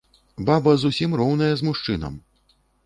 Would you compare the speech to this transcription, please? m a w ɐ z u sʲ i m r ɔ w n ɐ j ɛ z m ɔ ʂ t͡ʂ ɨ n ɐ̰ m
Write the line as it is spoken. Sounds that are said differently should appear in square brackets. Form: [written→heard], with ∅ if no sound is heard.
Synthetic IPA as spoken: [m→b] a [w→b] ɐ z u sʲ i m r ɔ w n ɐ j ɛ z m [ɔ→u] ʂ t͡ʂ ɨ n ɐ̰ m